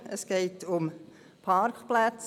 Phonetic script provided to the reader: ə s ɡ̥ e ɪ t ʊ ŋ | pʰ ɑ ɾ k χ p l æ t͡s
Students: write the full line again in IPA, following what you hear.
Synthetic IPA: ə s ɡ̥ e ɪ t ʊ m | pʰ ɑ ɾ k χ p l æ t͡s